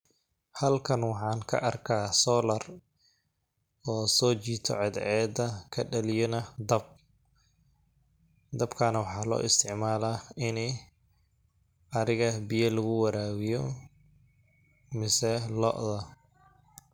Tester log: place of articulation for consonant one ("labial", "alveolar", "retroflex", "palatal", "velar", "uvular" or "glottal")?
glottal